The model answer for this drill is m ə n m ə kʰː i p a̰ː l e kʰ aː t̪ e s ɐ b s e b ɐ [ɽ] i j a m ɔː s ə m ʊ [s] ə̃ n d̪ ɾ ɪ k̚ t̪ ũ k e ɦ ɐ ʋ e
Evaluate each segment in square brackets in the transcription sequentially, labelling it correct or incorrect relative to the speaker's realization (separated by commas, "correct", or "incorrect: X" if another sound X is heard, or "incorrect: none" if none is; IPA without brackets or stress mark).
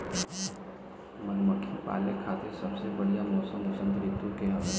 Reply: correct, correct